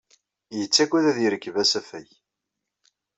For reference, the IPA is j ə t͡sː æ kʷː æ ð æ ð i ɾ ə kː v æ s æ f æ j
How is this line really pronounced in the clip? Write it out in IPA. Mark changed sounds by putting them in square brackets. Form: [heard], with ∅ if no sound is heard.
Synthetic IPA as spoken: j ə t͡sː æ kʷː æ ð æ ð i ɾ ə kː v æ s æ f æ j